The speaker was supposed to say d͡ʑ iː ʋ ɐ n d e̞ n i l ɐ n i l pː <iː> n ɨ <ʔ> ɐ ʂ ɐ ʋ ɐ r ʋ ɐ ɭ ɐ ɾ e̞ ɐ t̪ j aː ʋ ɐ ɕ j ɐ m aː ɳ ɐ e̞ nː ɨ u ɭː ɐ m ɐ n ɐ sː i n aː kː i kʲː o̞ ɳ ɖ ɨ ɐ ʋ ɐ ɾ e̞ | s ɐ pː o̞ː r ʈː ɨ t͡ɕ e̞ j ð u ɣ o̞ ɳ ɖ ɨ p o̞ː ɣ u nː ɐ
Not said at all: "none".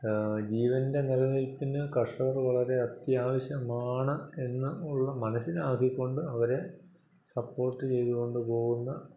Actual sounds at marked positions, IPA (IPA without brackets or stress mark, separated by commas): i, k